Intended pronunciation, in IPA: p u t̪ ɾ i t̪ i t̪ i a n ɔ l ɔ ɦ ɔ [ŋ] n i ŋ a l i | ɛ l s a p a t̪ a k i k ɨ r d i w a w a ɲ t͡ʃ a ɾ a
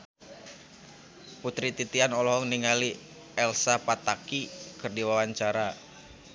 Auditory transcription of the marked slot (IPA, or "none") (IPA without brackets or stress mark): ŋ